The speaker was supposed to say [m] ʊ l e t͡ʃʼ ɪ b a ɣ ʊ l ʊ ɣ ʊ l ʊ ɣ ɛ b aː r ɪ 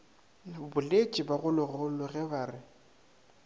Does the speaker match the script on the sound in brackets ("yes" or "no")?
no